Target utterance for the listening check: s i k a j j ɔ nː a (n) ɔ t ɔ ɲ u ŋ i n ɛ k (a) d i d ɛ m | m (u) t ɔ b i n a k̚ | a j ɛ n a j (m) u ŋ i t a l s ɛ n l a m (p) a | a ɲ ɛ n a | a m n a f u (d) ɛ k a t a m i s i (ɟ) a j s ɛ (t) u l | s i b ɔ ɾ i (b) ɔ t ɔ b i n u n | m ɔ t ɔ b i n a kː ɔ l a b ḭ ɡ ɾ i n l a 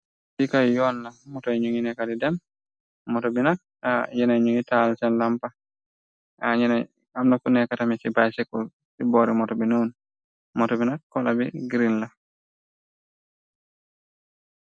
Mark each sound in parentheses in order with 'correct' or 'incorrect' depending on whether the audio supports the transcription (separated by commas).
incorrect, correct, incorrect, incorrect, correct, incorrect, incorrect, incorrect, incorrect